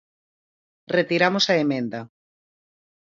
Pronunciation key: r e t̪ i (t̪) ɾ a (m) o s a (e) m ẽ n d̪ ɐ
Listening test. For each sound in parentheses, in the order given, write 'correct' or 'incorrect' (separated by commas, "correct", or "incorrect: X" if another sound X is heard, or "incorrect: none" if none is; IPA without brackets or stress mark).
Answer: incorrect: none, correct, correct